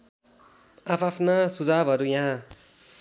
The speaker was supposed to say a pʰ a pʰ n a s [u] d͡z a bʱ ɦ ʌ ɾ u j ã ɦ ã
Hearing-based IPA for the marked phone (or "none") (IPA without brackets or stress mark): u